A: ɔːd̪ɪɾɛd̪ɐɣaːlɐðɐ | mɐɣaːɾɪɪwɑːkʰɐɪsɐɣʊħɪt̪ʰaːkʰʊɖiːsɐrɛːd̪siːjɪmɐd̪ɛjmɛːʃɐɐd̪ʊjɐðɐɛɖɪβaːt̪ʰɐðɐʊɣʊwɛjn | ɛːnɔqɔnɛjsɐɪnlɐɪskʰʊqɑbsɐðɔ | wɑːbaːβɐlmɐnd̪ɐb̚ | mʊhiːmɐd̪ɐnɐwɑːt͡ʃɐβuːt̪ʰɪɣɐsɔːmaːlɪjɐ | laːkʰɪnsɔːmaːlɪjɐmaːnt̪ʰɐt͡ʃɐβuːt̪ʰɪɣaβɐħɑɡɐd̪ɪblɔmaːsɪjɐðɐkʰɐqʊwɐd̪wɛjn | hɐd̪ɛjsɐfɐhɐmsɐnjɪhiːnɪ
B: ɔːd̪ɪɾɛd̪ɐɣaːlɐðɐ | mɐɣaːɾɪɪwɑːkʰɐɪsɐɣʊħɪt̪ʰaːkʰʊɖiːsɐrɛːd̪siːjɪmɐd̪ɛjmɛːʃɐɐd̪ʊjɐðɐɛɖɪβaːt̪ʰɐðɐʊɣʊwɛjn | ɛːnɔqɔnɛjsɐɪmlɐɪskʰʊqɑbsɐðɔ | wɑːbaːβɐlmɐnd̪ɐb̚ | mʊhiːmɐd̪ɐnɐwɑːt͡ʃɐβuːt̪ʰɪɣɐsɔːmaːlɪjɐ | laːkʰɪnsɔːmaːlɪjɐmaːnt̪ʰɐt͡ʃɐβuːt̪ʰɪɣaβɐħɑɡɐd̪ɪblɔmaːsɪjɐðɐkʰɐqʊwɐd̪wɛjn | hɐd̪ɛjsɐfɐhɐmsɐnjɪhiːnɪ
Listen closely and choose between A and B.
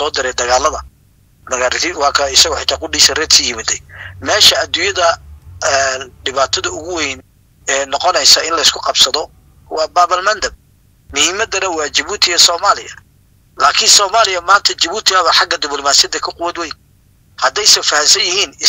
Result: A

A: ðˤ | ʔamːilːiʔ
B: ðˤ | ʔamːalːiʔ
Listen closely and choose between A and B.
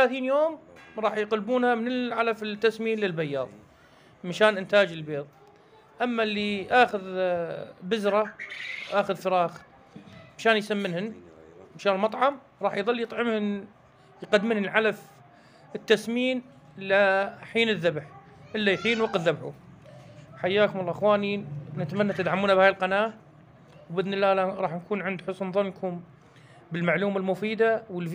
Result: B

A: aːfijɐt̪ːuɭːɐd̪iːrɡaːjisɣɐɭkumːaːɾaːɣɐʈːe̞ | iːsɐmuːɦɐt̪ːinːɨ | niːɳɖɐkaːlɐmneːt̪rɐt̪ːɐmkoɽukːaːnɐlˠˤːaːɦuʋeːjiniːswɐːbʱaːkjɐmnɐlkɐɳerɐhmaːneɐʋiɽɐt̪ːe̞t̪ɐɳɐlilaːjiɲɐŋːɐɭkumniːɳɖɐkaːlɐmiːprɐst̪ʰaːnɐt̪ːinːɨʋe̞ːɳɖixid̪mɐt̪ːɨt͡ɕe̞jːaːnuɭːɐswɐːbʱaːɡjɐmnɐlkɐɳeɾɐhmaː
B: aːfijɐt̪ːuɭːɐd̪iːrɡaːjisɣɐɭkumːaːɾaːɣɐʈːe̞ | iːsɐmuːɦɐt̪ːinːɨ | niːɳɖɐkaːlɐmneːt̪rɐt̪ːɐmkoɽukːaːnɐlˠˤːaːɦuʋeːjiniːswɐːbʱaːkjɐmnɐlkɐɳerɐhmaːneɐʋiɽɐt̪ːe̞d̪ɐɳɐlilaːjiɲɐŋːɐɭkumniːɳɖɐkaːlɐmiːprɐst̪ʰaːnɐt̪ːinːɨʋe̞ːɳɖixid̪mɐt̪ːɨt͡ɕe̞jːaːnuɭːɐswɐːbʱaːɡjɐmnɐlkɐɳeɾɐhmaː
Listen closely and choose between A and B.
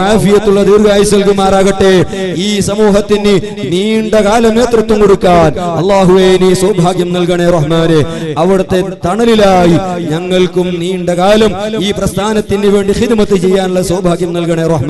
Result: A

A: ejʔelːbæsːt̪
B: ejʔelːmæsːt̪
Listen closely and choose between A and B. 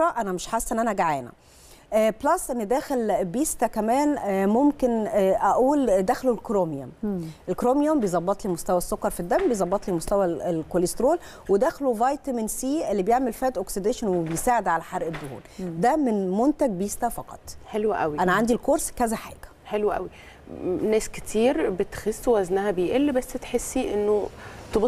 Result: A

